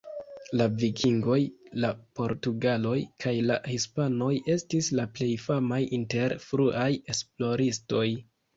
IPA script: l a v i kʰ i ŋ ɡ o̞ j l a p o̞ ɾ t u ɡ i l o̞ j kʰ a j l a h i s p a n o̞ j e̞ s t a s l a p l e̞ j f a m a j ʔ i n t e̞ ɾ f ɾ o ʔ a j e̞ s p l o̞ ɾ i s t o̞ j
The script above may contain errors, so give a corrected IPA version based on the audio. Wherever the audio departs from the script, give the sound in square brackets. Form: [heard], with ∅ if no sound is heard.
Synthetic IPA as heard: l a v i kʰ i ŋ ɡ o̞ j l a p o̞ ɾ t u ɡ [a] l o̞ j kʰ a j l a h i s p a n o̞ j e̞ s t [i] s l a p l e̞ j f a m a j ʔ i n t e̞ ɾ f ɾ [u] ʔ a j e̞ s p l o̞ ɾ i s t o̞ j